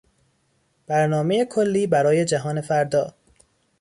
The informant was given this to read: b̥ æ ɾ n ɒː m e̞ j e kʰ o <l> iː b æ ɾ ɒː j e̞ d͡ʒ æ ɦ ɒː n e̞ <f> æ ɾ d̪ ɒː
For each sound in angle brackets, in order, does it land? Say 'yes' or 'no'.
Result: no, yes

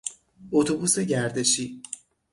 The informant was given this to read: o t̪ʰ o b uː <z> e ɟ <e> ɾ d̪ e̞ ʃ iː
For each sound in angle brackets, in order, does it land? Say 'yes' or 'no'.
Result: no, no

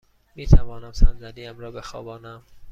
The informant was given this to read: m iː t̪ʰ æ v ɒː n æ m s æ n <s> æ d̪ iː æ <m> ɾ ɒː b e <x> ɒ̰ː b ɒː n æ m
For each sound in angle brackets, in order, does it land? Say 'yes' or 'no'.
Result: no, yes, yes

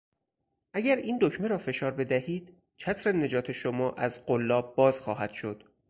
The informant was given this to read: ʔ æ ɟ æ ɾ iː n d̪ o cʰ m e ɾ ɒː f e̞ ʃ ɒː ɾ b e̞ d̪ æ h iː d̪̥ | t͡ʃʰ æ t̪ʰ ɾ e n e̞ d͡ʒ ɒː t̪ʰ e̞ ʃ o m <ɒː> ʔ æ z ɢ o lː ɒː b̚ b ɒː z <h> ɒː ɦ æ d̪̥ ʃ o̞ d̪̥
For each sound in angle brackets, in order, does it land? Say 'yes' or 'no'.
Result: yes, no

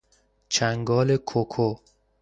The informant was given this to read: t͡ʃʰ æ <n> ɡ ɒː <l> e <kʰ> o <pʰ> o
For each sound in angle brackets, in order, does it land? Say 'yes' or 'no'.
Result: no, yes, yes, no

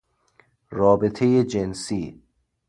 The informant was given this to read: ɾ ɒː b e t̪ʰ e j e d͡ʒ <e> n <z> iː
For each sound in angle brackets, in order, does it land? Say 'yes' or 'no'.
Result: yes, no

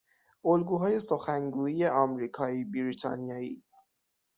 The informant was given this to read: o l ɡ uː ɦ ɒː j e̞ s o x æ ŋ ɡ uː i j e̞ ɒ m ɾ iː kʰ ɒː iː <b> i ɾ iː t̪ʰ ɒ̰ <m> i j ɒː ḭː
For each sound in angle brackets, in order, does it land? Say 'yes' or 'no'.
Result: yes, no

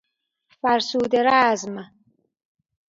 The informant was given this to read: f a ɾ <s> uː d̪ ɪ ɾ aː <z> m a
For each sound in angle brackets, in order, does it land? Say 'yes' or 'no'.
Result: yes, yes

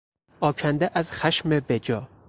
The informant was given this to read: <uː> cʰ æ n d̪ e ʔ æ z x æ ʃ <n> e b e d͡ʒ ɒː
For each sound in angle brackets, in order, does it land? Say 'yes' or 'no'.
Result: no, no

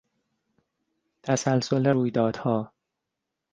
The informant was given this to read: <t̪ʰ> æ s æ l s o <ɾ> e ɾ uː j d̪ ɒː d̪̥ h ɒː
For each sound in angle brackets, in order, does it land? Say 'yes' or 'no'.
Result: yes, no

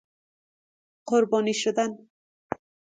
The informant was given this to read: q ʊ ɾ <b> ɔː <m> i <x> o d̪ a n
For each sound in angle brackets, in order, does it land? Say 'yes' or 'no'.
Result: yes, no, no

